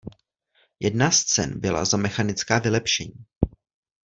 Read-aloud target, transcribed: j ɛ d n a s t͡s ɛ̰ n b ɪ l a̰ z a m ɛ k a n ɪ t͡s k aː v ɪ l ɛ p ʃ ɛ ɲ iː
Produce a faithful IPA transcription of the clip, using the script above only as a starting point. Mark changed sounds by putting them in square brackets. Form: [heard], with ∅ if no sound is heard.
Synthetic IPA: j ɛ d n a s t͡s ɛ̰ n b ɪ l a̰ z a m ɛ [x] a n ɪ t͡s k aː v ɪ l ɛ p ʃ ɛ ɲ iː

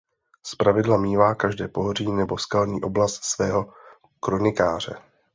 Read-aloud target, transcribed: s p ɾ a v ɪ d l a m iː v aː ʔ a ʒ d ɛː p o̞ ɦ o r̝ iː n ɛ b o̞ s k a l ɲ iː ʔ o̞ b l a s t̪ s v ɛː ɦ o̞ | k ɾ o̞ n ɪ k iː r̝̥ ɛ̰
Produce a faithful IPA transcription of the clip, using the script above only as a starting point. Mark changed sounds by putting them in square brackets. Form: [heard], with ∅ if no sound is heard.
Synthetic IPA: s p ɾ a v ɪ d l a m iː v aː [k] a ʒ d ɛː p o̞ ɦ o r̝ iː n ɛ b o̞ s k a l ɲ iː ʔ o̞ b l a s t̪ s v ɛː ɦ o̞ | k ɾ o̞ n ɪ k [aː] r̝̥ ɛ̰

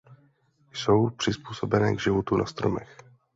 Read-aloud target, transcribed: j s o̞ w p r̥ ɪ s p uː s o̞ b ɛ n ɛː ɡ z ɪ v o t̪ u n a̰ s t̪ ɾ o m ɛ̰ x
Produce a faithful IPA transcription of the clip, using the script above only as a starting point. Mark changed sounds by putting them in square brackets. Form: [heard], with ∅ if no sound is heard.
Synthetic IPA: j s o̞ w p r̥ ɪ s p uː s o̞ b ɛ n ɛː ɡ [ʒ] ɪ v o t̪ u n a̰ s t̪ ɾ o m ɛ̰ x

